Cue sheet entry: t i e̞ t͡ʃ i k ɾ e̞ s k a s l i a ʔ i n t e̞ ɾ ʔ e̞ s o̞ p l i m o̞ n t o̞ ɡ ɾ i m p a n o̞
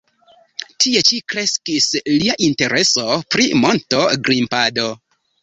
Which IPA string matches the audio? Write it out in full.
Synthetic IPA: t i e̞ t͡ʃ i k ɾ e̞ s k i s l i a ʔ i n t e̞ ɾ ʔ e̞ s o̞ p ɾ i m o̞ n t o̞ ɡ ɾ i m p a d o̞